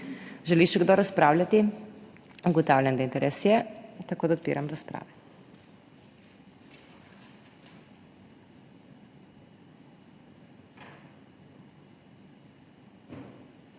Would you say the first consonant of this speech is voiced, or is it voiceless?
voiced